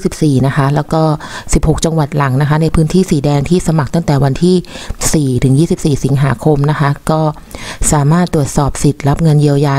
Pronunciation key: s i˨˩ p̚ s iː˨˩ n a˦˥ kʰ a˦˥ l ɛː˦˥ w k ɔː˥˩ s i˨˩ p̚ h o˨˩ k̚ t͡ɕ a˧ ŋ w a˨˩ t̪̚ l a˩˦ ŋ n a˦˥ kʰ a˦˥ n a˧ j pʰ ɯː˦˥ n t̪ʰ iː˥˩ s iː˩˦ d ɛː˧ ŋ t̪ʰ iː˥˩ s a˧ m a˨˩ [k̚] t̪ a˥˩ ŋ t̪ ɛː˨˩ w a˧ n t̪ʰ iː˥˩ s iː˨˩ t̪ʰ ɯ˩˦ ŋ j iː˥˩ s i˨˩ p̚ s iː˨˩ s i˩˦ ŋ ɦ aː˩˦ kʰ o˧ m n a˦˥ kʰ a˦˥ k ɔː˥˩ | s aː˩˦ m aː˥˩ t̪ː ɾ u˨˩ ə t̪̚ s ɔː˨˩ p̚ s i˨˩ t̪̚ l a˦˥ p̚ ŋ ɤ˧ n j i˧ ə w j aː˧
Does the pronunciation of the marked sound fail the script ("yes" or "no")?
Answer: no